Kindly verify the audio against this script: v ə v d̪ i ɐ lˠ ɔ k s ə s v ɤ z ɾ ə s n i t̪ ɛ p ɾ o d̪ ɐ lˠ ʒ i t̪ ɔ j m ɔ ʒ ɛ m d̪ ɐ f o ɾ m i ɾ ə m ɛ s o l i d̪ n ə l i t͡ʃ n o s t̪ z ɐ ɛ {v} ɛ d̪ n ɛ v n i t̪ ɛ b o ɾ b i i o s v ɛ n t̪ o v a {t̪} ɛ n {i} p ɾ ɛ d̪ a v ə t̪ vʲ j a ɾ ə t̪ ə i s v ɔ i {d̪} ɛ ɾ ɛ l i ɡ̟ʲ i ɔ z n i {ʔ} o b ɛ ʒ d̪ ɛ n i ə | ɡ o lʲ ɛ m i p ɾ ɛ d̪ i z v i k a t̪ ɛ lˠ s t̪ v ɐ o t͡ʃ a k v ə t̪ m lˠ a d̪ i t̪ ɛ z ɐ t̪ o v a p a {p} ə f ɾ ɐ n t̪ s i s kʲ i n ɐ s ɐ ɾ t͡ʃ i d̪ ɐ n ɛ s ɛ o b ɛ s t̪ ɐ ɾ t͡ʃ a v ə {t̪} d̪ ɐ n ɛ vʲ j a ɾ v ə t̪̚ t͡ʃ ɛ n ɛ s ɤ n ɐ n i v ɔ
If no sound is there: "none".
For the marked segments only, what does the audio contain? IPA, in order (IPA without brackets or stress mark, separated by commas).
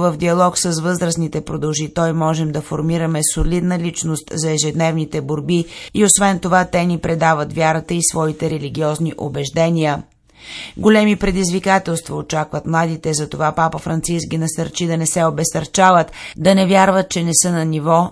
ʒ, t̪, i, t̪, ʔ, p, t̪